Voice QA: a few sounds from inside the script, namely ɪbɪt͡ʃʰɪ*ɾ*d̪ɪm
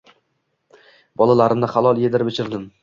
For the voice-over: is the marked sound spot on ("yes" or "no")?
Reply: yes